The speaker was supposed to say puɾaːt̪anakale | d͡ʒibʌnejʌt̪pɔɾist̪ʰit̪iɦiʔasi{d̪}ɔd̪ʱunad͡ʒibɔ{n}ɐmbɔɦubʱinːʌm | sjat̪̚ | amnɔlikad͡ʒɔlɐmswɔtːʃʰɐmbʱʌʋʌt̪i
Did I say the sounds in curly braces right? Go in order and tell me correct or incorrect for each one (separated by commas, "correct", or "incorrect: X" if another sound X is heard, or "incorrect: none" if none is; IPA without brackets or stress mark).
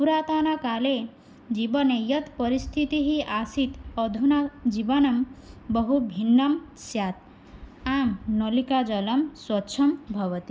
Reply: incorrect: t̪, correct